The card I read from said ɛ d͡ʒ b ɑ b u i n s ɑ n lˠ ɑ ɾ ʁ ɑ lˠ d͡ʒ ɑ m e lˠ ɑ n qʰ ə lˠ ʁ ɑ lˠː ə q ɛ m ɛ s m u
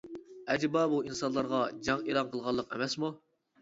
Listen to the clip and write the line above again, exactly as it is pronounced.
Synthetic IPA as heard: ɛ d͡ʒ b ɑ b u i n s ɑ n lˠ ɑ ɾ ʁ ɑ d͡ʒ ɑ ŋ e lˠ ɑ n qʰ ə lˠ ʁ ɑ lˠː ə q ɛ m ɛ s m u